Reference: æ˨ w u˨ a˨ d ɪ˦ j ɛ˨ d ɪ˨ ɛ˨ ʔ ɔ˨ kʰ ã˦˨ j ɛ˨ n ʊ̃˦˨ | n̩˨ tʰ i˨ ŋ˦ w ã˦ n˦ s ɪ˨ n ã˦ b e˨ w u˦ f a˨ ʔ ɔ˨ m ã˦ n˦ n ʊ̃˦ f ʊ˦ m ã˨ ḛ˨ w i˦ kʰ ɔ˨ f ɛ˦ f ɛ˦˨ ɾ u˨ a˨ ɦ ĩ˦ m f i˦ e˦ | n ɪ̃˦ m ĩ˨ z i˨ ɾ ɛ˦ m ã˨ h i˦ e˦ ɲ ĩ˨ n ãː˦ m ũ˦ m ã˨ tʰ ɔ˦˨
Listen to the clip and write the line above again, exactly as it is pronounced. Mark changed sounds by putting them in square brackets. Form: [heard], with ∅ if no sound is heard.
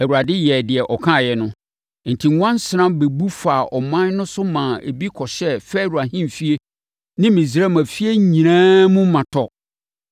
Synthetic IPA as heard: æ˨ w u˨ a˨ d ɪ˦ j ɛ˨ d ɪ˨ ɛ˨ ʔ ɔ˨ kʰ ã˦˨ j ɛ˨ n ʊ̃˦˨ | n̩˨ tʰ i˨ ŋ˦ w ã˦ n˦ s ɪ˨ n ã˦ b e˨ [b] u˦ f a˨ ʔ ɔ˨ m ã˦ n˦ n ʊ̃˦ [s] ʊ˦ m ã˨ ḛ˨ [b] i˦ kʰ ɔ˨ [ɕ] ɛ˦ f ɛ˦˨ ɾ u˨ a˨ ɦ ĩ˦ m f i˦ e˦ | n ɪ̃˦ m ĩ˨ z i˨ ɾ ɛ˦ m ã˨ [f] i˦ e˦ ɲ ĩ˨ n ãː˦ m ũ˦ m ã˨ tʰ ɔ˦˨